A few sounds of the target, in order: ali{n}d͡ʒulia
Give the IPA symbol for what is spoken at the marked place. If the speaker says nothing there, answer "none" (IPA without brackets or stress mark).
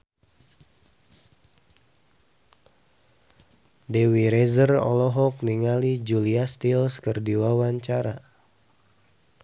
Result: none